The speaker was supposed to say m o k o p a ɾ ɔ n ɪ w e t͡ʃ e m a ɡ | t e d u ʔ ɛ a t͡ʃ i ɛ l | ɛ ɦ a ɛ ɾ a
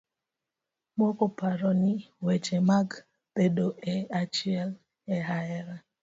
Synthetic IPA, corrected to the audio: m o k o p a ɾ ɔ n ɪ w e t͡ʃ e m a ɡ | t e d o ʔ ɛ a t͡ʃ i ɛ l | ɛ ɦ a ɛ ɾ a